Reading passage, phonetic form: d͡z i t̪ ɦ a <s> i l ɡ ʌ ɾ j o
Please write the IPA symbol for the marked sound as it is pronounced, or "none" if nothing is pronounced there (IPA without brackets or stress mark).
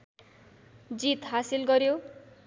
s